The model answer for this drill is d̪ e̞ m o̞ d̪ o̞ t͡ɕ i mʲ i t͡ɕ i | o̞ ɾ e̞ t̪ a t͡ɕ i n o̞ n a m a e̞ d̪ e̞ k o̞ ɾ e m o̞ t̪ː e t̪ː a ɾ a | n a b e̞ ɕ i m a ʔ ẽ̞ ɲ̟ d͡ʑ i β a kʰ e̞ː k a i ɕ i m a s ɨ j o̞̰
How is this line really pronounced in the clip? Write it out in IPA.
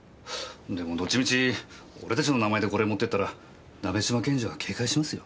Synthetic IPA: d̪ e̞ m o̞ d̪ o̞ t͡ɕ i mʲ i t͡ɕ i | o̞ ɾ e̞ t̪ a t͡ɕ i n o̞ n a m a e̞ d̪ e̞ k o̞ ɾ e m o̞ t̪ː e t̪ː a ɾ a | n a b e̞ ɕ i m a k ẽ̞ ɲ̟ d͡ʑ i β a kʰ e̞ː k a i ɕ i m a s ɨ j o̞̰

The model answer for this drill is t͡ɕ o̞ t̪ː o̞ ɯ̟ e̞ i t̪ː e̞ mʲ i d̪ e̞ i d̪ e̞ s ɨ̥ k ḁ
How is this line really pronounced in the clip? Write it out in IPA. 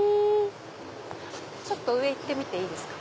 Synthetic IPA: t͡ɕ o̞ t̪ː o̞ ɯ̟ e̞ i t̪ː e̞ mʲ i t̪ e̞ iː d̪ e̞ s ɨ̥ k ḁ

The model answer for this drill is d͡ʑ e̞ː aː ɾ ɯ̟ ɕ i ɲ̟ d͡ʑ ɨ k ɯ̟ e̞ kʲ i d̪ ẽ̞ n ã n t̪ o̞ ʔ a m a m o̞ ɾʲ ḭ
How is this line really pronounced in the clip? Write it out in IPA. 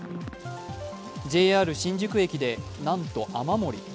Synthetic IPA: d͡ʑ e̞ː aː ɾ ɯ̟ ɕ ĩ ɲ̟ d͡ʑ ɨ k ɯ̟ e̞ kʲ i d̪ e̞ n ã n t̪ o̞ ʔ a m a m o̞ ɾʲ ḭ

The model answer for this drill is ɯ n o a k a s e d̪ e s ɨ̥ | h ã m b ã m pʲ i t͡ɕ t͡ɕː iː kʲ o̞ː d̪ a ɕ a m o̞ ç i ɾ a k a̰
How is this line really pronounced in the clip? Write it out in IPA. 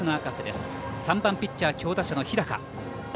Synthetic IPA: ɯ n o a k a s e d̪ e s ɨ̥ | s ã m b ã m pʲ i t͡ɕ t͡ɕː aː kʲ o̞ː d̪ a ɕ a n o̞ ç i ɾ a k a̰

